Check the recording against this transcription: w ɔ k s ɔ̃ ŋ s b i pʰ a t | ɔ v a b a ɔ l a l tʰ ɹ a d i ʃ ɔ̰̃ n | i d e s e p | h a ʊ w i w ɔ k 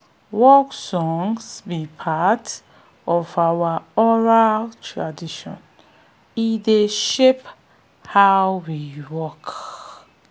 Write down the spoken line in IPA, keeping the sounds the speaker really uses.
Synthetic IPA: w ɔ k s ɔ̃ ŋ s b i pʰ a t | ɔ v a w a ɔ ɹ a l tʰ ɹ a d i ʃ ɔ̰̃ n | i d e ʃ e p | h a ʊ w i w ɔ k